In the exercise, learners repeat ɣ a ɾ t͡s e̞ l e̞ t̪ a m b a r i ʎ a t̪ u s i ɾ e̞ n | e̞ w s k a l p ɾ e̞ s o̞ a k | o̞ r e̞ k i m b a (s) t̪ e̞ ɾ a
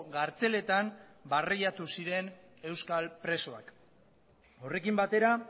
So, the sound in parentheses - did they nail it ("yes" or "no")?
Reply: no